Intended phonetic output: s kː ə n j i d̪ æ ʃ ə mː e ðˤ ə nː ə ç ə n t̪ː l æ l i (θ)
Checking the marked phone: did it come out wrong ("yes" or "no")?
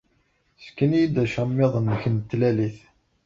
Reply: no